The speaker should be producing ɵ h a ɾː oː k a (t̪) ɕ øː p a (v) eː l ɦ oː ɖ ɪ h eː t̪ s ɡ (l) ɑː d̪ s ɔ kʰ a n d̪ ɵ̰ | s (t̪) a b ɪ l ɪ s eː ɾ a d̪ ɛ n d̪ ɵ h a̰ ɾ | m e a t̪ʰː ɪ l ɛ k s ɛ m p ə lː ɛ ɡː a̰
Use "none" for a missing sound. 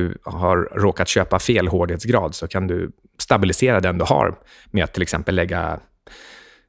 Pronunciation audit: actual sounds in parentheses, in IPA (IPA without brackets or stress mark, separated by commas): t̪, f, ɾ, t̪